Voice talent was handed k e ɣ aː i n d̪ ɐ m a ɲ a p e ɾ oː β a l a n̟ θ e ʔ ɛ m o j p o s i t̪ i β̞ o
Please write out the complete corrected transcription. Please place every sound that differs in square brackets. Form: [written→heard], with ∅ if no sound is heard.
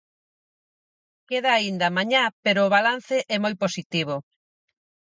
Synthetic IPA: k e [ɣ→ð] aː i n d̪ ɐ m a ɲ a p e ɾ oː β a l a n̟ θ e ʔ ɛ m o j p o s i t̪ i β̞ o